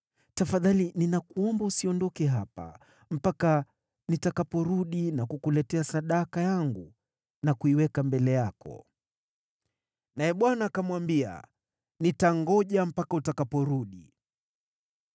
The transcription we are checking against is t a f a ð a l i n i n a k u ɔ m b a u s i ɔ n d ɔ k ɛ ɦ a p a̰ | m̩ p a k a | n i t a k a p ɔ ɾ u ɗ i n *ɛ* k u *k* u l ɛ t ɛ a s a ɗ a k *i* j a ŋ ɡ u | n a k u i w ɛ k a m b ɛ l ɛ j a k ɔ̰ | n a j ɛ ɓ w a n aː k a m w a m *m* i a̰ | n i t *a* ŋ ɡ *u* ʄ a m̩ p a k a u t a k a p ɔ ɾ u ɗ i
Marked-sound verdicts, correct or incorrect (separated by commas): incorrect, correct, incorrect, incorrect, correct, incorrect